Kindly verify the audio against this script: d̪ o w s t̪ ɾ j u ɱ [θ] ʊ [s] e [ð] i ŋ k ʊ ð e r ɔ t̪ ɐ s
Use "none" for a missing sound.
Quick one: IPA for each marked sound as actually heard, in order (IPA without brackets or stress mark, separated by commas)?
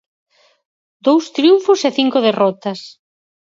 f, s, θ